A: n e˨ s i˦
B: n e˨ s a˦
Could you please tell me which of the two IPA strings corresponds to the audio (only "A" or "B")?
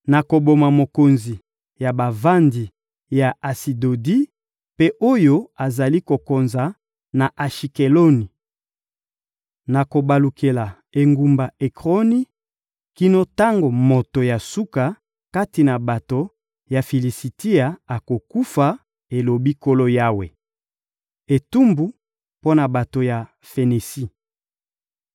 A